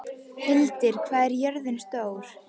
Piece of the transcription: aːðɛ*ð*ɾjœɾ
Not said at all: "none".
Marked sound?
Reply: none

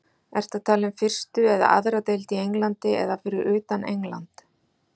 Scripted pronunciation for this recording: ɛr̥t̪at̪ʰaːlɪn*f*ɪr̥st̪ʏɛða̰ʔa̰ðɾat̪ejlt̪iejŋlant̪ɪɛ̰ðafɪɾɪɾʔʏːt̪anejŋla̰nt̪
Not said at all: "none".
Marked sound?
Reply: f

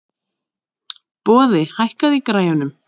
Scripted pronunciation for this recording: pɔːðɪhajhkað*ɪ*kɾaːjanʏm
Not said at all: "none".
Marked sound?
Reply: i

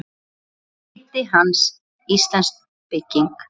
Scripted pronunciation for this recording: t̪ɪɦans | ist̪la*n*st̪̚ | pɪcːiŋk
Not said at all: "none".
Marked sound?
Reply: n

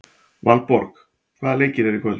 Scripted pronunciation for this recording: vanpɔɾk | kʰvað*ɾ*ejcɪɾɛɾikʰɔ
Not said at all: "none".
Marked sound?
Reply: l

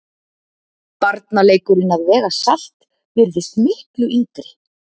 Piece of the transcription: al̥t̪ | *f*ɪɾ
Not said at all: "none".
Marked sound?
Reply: v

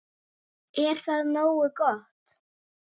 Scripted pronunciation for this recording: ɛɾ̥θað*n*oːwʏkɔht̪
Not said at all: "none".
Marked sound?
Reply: n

